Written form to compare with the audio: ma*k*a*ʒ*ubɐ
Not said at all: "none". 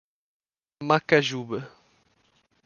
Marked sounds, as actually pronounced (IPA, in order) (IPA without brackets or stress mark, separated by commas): k, ʒ